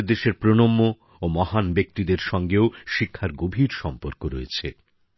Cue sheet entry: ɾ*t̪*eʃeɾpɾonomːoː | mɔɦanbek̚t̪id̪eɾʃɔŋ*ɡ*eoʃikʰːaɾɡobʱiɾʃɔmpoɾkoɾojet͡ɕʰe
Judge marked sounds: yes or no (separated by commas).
no, yes